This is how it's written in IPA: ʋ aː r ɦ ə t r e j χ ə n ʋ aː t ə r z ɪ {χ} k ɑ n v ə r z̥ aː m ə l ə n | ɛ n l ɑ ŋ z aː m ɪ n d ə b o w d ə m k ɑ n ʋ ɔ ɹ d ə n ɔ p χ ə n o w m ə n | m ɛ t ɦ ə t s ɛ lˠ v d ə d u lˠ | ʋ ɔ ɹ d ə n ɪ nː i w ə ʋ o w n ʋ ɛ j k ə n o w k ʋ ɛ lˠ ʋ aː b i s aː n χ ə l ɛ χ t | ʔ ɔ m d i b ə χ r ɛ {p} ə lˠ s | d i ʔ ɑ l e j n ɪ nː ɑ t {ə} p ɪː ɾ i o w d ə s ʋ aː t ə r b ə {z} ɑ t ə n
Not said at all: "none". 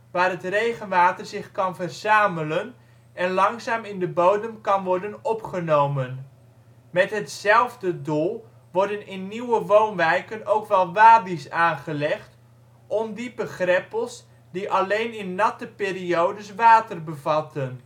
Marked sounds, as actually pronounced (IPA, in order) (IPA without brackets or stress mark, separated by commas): χ, p, ə, v